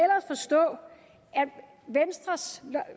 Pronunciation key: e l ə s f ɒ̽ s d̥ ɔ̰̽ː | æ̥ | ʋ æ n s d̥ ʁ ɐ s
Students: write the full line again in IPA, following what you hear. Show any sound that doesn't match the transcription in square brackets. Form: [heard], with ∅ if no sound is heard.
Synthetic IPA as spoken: e l [ɐ] s f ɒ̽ s d̥ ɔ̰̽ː | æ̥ | ʋ [e] n s d̥ ʁ ɐ s